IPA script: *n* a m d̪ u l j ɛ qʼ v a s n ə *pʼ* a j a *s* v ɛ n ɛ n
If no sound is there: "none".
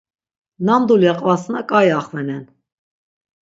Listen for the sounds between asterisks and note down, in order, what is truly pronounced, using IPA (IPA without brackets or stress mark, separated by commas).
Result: n, kʼ, χ